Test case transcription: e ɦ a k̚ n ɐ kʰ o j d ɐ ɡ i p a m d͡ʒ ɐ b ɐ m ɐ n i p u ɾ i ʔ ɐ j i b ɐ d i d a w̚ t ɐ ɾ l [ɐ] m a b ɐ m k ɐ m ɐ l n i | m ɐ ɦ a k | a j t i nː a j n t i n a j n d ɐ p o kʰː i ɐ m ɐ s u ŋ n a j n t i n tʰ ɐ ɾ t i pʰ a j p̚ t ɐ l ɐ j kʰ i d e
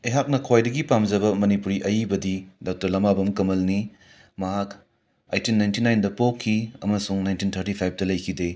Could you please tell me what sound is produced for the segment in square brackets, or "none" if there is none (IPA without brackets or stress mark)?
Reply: ɐ